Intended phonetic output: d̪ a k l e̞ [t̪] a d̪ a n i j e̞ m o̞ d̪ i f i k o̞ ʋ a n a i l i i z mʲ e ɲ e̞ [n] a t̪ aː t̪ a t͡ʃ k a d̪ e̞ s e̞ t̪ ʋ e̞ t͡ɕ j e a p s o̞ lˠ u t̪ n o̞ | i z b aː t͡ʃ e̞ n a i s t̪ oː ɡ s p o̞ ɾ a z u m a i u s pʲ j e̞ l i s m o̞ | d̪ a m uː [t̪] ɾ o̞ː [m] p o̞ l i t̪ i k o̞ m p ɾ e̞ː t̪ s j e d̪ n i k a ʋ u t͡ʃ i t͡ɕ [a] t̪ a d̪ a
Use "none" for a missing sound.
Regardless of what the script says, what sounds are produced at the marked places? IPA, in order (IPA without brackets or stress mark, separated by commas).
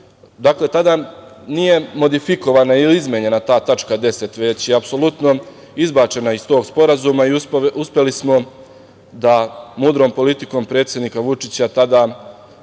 t̪, n, d̪, m, a